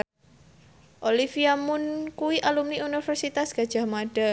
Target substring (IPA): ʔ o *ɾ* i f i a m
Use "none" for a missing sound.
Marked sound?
l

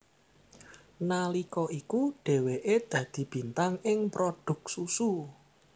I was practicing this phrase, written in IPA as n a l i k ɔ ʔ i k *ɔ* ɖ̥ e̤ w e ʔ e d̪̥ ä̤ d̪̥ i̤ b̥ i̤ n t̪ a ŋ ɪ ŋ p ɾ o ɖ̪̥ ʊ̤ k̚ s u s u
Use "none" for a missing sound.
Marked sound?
u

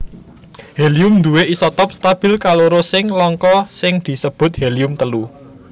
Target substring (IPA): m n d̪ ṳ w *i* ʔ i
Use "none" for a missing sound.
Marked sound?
e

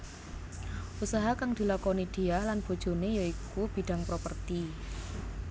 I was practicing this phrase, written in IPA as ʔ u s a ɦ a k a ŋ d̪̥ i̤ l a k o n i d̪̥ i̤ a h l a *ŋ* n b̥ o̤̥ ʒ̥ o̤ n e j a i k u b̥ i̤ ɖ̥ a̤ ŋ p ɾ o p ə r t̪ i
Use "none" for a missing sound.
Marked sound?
none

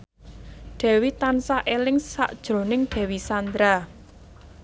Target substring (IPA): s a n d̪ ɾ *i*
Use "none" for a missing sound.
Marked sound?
a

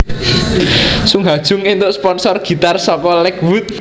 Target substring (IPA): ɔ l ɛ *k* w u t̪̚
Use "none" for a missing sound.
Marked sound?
k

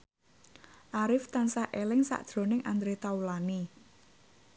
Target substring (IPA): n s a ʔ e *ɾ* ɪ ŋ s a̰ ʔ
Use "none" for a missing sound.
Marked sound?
l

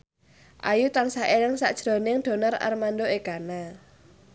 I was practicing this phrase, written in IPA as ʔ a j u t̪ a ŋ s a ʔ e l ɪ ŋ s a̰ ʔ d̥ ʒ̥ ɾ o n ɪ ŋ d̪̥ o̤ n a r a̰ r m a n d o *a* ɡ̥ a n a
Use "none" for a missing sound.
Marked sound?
e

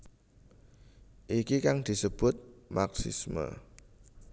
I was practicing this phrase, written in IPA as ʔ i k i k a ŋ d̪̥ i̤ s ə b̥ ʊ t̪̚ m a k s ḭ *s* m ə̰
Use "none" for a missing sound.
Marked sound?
s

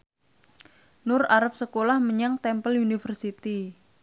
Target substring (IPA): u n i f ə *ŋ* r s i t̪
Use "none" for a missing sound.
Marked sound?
none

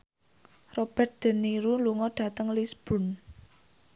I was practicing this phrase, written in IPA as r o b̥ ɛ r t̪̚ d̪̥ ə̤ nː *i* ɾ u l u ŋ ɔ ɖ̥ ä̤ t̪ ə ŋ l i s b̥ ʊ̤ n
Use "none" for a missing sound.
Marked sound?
i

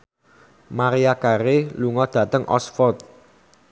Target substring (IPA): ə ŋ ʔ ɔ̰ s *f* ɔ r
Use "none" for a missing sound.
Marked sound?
f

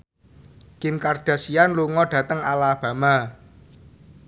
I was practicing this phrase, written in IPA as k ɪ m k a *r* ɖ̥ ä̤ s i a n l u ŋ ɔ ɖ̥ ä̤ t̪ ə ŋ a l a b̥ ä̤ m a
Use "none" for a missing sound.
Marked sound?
r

